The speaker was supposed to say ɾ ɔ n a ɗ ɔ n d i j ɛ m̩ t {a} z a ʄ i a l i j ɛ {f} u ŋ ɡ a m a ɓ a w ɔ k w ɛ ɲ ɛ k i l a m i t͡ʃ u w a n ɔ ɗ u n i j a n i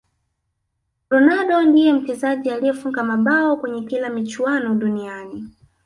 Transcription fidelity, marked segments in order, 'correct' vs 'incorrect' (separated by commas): incorrect, correct